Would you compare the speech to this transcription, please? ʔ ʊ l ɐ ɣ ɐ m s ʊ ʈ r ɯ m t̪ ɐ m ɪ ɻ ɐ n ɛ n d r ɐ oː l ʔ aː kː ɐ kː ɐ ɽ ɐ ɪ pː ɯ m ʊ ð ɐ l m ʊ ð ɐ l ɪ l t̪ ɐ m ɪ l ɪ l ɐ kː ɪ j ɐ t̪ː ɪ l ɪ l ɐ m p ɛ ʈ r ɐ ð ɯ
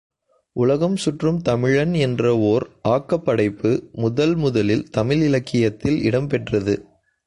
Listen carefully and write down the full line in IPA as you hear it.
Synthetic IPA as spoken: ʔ ʊ l ɐ ɣ ɐ m s ʊ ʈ r ɯ m t̪ ɐ m ɪ ɻ ɐ n ɛ n d r ɐ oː ɾ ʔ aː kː ɐ pː ɐ ɽ ɐ ɪ pː ɯ m ʊ ð ɐ l m ʊ ð ɐ l ɪ l t̪ ɐ m ɪ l ɪ l ɐ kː ɪ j ɐ t̪ː ɪ l ɪ ɽ ɐ m p ɛ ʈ r ɐ ð ɯ

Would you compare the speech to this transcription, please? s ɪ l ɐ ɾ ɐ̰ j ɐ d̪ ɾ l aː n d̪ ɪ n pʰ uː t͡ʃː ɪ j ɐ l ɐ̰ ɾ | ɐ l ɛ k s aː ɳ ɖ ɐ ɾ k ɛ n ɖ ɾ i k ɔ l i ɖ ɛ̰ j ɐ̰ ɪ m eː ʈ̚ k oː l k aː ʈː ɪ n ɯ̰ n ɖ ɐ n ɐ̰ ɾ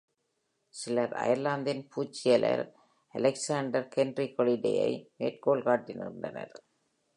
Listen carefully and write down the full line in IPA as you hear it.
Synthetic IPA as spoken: s ɪ l ɐ ɾ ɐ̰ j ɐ ɾ l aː n d̪ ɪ n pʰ uː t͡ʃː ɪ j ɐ l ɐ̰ ɾ | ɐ l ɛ k s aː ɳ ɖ ɐ ɾ k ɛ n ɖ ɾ i k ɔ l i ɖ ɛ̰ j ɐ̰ ɪ m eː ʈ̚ k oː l k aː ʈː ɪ n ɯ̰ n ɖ ɐ n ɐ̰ ɾ

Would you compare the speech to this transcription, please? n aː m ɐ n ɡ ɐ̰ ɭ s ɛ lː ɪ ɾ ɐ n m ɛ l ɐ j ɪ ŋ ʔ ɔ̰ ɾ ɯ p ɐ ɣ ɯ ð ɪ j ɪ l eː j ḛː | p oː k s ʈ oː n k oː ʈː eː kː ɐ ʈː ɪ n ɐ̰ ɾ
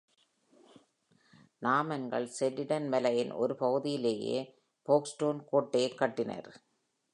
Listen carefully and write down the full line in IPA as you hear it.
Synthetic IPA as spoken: n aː m ɐ n ɡ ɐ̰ ɭ s ɛ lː ɪ ɽ ɐ n m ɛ l ɐ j ɪ n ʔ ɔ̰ ɾ ɯ p ɐ ɣ ɯ ð ɪ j ɪ l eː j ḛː | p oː k s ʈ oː n k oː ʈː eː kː ɐ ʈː ɪ n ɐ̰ ɾ

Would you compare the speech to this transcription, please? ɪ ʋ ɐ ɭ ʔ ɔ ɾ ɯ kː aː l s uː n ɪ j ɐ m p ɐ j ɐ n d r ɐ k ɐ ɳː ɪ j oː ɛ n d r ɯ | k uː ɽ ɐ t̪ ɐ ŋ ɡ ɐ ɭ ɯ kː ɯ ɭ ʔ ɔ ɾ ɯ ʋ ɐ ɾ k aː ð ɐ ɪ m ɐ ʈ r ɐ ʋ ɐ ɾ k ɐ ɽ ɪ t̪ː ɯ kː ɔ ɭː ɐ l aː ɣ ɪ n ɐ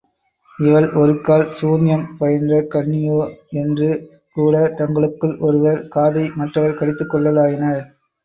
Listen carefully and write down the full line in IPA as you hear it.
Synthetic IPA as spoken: ɪ ʋ ɐ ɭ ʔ ɔ ɾ ɯ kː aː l s uː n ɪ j ɐ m p ɐ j ɐ n d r ɐ k ɐ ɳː ɪ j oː ɛ n d r ɯ | k uː ɽ ɐ t̪ ɐ ŋ ɡ ɐ ɭ ɯ kː ɯ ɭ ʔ ɔ ɾ ɯ ʋ ɐ ɾ k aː ð ɐ ɪ m ɐ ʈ r ɐ ʋ ɐ ɾ k ɐ ɽ ɪ t̪ː ɯ kː ɔ ɭː ɐ l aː ɣ ɪ n ɐ

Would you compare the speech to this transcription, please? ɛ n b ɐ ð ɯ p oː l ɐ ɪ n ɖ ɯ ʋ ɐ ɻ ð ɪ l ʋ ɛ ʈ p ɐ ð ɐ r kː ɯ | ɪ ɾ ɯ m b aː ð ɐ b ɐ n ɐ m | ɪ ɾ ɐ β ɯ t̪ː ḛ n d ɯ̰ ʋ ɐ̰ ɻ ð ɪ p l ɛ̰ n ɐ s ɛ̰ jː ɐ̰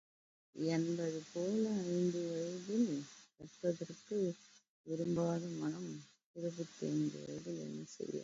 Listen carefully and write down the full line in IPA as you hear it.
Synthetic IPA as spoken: ɛ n b ɐ ð ɯ p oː l ɐ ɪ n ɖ ɯ ʋ ɐ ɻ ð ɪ l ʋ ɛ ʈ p ɐ ð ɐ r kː ɯ | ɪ ɾ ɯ m b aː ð ɐ m ɐ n ɐ m | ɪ ɾ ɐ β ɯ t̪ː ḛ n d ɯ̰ ʋ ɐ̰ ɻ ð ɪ l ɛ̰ nː ɐ s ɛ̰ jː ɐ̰

